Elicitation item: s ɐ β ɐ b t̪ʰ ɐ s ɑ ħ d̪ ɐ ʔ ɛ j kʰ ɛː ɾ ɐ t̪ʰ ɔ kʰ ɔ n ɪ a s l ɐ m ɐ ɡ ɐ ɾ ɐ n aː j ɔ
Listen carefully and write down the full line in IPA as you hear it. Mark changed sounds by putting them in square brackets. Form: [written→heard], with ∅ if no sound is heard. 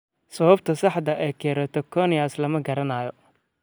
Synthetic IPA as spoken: s ɐ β ɐ b t̪ʰ ɐ s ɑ ħ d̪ ɐ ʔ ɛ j kʰ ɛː ɾ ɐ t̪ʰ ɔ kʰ ɔ n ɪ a s l ɐ m ɐ ɡ ɐ ɾ ɐ n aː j ɔ